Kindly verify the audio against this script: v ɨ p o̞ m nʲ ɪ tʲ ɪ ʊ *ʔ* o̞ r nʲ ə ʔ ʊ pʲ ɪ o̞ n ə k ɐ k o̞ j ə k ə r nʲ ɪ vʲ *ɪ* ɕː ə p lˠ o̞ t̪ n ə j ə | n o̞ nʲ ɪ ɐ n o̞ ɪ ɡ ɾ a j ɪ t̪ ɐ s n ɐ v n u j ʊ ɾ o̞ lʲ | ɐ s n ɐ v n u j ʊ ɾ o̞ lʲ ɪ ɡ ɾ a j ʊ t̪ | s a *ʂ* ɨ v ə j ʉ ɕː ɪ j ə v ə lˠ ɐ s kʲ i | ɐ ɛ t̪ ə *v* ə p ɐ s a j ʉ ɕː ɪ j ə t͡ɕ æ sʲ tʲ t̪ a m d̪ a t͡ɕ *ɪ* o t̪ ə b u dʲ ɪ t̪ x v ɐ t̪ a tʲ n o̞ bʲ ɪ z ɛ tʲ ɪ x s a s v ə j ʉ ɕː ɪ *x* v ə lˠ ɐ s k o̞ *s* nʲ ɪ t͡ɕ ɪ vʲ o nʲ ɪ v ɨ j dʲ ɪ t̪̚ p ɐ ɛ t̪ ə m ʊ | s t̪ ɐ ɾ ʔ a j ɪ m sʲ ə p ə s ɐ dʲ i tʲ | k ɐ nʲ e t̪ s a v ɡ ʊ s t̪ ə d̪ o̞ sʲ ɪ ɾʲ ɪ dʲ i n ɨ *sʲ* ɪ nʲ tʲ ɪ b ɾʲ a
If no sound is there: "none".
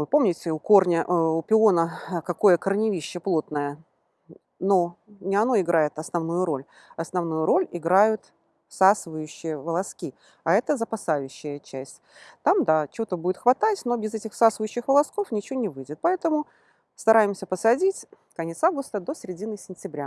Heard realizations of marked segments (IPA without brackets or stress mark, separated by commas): k, i, s, z, ɪ, x, f, sʲ